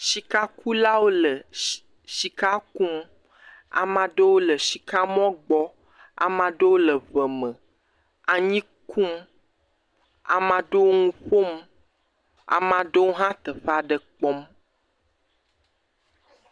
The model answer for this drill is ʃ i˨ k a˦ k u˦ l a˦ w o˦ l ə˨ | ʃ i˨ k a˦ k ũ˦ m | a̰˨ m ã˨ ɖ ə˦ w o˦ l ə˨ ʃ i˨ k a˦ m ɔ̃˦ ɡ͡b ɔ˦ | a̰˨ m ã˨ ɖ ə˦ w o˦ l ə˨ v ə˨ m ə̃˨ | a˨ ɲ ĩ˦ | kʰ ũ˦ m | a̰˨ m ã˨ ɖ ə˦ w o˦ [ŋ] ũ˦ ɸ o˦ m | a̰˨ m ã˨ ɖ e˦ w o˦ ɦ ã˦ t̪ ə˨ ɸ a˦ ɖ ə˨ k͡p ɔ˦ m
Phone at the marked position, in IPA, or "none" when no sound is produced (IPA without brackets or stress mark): ŋ